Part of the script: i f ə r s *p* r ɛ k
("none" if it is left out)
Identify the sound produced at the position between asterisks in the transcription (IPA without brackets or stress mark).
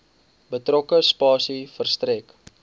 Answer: t